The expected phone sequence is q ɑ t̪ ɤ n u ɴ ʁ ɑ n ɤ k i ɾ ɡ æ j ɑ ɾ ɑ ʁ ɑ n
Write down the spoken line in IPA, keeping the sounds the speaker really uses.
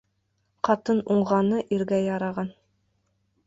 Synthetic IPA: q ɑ t̪ ɤ n u ɴ ʁ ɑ n ɤ ʔ i ɾ ɡ æ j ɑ ɾ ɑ ʁ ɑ n